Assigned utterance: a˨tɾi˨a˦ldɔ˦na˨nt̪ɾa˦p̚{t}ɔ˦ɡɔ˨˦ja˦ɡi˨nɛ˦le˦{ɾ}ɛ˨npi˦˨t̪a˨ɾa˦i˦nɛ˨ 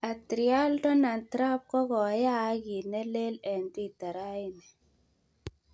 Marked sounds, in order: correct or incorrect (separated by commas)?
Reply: incorrect, incorrect